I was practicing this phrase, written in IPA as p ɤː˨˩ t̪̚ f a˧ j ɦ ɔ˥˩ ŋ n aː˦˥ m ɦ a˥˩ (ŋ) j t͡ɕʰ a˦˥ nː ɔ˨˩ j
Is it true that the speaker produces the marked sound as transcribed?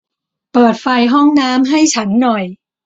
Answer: no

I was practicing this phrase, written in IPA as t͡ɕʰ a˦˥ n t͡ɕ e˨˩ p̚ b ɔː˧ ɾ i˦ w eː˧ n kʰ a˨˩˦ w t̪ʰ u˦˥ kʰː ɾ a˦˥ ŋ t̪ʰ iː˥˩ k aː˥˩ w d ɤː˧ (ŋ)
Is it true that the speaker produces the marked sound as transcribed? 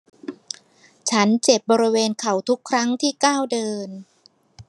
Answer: no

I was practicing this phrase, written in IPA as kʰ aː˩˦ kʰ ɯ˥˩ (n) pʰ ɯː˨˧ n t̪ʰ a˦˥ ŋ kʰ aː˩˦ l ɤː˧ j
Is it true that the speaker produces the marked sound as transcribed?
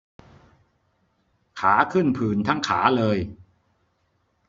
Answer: yes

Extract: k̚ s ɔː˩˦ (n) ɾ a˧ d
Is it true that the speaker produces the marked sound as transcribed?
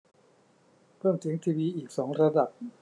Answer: no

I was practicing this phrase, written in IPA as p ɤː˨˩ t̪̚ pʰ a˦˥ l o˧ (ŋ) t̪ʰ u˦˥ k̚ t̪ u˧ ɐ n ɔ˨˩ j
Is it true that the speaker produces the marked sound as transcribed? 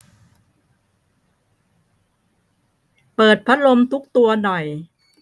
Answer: no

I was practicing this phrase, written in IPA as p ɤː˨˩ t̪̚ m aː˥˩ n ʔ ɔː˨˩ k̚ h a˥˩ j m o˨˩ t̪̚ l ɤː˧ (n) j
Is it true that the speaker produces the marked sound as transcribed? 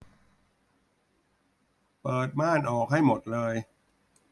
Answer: no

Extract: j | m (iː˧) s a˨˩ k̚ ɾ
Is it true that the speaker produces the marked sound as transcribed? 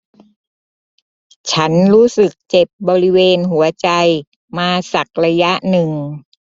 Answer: no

